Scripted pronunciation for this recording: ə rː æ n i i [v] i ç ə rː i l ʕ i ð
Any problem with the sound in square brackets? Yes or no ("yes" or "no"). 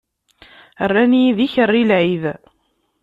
yes